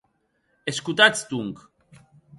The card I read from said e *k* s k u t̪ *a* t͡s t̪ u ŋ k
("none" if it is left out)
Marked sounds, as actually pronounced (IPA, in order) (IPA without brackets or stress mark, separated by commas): none, a